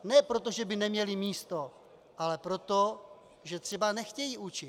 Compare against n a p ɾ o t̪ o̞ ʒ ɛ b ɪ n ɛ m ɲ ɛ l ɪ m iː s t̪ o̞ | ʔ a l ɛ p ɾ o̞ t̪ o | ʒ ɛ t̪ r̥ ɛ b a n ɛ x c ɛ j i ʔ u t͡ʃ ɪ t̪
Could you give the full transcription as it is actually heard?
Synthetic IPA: n ɛ p ɾ o t̪ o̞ ʒ ɛ b ɪ n ɛ m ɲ ɛ l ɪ m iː s t̪ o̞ | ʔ a l ɛ p ɾ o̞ t̪ o | ʒ ɛ t̪ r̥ ɛ b a n ɛ x c ɛ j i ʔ u t͡ʃ ɪ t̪